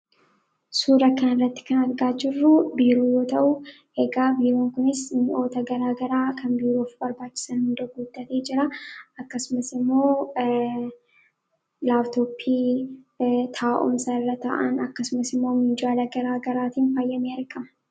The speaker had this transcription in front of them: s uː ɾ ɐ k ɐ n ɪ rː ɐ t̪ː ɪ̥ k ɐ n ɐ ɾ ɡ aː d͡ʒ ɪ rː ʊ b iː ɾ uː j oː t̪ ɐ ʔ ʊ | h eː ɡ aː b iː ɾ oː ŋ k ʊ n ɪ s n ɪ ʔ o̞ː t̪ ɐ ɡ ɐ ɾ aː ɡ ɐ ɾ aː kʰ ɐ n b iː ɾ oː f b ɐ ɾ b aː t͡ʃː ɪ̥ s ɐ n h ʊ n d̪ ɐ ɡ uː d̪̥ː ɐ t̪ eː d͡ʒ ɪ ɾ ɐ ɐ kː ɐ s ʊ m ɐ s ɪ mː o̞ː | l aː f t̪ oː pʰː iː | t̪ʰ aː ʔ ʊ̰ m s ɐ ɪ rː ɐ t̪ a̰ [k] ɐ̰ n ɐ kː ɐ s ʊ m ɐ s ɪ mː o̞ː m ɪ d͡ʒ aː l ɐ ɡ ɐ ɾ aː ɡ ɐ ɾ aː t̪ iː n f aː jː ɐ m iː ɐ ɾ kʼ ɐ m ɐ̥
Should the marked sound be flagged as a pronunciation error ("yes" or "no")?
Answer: yes